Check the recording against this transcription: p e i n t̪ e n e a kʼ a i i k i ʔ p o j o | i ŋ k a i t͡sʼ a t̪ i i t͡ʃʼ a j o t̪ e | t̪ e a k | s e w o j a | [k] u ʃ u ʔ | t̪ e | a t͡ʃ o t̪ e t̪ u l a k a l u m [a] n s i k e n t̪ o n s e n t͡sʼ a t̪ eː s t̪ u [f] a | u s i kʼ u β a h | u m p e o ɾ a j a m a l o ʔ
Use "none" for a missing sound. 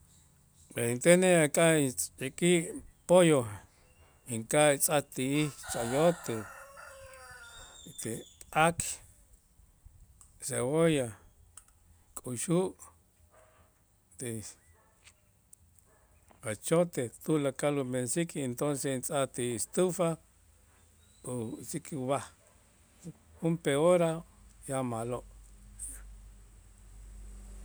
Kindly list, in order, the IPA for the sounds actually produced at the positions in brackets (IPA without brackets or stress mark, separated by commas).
kʼ, e, f